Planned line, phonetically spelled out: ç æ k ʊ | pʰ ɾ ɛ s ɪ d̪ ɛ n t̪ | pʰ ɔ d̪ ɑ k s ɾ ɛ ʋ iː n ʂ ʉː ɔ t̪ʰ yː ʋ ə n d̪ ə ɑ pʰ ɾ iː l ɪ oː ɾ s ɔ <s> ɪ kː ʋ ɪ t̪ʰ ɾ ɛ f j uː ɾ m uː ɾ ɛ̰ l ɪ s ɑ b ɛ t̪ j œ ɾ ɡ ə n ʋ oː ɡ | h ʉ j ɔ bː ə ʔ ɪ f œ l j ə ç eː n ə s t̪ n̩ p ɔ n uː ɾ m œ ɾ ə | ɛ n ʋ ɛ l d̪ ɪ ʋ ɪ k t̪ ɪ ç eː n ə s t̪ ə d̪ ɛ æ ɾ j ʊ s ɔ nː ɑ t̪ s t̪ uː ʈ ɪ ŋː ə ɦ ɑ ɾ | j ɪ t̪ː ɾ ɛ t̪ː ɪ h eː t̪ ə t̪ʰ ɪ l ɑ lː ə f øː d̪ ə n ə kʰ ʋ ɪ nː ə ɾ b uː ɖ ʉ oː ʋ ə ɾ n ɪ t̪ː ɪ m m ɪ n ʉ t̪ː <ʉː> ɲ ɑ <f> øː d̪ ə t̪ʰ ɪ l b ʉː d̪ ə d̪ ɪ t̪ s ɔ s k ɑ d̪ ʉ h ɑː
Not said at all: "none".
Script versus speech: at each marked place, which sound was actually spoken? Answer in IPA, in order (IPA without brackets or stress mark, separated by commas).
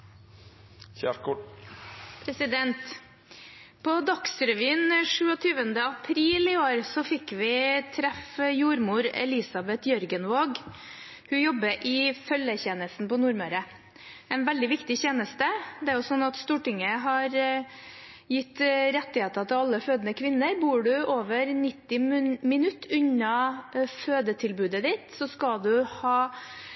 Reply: f, ʉ, f